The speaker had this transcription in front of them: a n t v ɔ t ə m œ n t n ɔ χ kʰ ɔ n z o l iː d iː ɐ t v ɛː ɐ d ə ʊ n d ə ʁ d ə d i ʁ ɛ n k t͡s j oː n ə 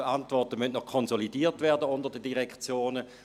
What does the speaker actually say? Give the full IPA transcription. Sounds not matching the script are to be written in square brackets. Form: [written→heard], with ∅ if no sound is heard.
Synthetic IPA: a n t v ɔ t ə m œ n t n ɔ χ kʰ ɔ n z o l [iː→i] d iː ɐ t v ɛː ɐ d ə ʊ n d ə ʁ d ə d i ʁ ɛ [n→∅] k t͡s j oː n ə